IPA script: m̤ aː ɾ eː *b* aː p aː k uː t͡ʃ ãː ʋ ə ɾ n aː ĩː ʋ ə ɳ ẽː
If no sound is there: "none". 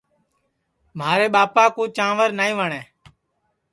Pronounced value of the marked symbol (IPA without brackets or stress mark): ɓ